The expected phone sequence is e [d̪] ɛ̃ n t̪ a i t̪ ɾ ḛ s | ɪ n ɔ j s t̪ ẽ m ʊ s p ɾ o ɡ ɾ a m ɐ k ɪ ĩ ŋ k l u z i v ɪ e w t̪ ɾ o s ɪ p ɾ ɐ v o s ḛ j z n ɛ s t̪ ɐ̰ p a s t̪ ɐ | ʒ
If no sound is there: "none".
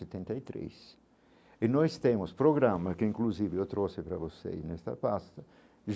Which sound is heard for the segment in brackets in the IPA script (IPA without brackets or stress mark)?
t̪